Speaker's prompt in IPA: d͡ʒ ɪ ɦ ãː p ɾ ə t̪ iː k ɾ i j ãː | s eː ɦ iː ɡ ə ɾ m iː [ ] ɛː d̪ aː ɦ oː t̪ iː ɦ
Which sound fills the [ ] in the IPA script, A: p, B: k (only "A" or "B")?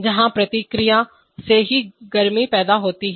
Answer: A